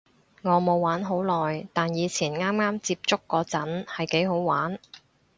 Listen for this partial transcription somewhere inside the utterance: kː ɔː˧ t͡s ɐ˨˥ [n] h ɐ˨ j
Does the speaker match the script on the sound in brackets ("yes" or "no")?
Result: yes